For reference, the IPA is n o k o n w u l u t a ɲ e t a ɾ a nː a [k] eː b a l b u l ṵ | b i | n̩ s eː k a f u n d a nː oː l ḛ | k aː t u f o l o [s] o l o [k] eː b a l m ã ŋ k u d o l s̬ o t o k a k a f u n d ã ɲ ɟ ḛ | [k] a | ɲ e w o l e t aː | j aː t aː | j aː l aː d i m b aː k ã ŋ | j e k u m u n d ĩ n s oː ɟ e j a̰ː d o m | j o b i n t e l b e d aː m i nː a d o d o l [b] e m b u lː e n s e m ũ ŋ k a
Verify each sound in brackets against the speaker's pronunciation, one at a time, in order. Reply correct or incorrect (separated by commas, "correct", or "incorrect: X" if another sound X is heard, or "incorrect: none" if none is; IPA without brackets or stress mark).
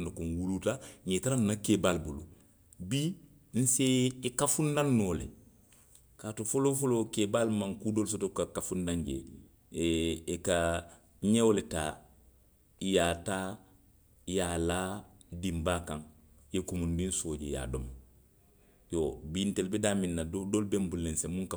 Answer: correct, incorrect: f, correct, correct, correct